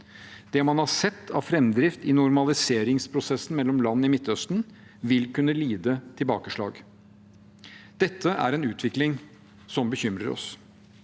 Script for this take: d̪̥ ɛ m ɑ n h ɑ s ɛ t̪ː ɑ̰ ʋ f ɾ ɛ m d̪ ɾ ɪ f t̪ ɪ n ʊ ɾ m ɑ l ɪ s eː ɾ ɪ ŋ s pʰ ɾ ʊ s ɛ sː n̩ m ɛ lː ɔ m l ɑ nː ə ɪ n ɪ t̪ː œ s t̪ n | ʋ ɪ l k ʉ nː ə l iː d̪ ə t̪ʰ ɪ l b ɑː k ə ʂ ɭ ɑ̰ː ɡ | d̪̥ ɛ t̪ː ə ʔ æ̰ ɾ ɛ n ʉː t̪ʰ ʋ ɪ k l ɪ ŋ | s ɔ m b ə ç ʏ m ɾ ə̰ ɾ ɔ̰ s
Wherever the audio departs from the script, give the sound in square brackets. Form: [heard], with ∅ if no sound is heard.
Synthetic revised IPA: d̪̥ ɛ m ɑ n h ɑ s ɛ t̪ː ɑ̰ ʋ f ɾ ɛ m d̪ ɾ ɪ f t̪ ɪ n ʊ ɾ m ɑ l ɪ s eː ɾ ɪ ŋ s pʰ ɾ ʊ s ɛ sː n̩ m ɛ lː ɔ m l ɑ nː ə ɪ [m] ɪ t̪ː œ s t̪ n | ʋ ɪ l k ʉ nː ə l iː d̪ ə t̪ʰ ɪ l b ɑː k ə ʂ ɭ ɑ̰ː ɡ | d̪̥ ɛ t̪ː ə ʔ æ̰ ɾ ɛ n ʉː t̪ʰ ʋ ɪ k l ɪ ŋ | s ɔ m b ə ç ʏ m ɾ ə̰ ɾ ɔ̰ s